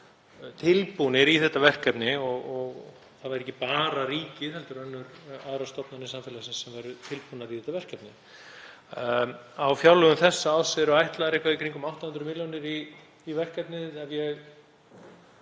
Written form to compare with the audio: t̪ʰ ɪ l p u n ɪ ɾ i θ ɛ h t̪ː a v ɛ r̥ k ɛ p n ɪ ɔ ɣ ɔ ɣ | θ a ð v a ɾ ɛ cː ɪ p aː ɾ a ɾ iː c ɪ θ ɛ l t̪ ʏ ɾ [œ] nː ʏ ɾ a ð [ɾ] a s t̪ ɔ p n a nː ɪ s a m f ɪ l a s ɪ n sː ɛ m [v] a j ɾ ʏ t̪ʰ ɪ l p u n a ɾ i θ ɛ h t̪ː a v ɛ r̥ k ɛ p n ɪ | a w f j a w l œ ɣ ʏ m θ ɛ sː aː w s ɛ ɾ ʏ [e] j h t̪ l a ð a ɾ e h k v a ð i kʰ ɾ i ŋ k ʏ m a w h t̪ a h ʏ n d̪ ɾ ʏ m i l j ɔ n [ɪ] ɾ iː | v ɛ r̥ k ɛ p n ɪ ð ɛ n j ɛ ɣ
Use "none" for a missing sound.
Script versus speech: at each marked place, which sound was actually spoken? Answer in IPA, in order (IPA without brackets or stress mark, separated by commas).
œ, ɾ, v, a, ɪ